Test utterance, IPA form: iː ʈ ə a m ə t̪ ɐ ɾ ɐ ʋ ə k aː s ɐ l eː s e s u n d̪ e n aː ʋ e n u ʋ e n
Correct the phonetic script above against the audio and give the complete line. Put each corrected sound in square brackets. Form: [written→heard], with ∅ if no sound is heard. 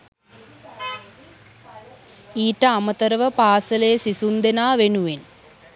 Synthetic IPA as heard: iː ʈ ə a m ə t̪ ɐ ɾ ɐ ʋ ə [k→p] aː s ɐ l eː s [e→i] s u n d̪ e n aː ʋ e n u ʋ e n